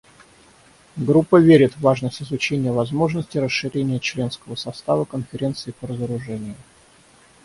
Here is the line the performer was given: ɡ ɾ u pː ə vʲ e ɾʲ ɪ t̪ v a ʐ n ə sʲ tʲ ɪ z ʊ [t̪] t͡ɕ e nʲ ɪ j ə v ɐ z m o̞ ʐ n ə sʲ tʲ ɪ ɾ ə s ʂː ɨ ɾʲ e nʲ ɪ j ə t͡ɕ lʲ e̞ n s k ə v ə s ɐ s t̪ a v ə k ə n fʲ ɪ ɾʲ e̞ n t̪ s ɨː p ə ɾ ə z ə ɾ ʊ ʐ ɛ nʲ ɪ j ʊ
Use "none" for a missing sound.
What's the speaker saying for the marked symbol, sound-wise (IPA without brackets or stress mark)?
none